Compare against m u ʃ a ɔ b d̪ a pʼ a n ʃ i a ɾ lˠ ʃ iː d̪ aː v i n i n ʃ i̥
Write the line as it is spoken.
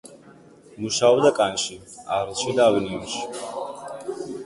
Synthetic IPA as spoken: m u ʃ a ɔ b d̪ a kʼ a n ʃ i a ɾ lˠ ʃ i d̪ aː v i n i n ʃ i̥